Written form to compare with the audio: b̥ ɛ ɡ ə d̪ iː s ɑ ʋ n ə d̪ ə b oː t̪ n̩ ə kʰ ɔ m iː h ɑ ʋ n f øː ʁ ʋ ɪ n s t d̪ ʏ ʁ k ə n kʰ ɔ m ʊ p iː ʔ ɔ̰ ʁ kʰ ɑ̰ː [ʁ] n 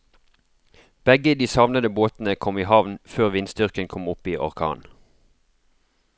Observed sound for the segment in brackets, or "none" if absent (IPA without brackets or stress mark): none